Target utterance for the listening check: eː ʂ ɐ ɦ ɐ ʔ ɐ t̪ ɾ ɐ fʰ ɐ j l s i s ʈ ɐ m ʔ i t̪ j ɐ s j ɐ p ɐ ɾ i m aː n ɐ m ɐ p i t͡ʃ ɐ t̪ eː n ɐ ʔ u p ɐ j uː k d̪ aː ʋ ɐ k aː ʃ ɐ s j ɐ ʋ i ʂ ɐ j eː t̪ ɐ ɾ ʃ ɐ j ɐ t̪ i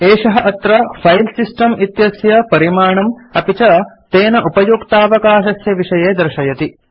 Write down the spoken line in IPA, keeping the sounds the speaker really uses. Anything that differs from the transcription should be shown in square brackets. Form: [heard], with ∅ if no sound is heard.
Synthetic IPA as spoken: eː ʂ ɐ ɦ ɐ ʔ ɐ t̪ ɾ ɐ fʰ ɐ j l s i s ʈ ɐ m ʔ i t̪ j ɐ s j ɐ p ɐ ɾ i m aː [ɳ] ɐ m ɐ p i t͡ʃ ɐ t̪ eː n ɐ ʔ u p ɐ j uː k [t̪] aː ʋ ɐ k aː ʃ ɐ s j ɐ ʋ i ʂ ɐ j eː [d̪] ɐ ɾ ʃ ɐ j ɐ t̪ i